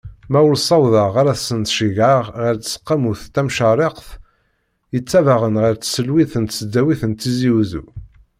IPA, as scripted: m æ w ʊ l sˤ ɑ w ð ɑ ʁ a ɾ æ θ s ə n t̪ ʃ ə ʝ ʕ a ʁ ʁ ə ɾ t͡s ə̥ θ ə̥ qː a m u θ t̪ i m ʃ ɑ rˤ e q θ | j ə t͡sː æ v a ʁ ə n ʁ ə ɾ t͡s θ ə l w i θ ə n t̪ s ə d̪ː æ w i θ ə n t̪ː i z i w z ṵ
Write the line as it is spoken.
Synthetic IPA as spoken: m æ w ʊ l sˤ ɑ w ð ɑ ʁ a ɾ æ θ s ə n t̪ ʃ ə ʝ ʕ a ʁ ʁ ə ɾ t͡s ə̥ s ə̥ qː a m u θ t̪ æ m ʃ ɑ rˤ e q θ | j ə t͡sː æ v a ʁ ə n ʁ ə ɾ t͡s s ə l w i θ ə n t̪ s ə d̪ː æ w i θ ə n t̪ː i z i w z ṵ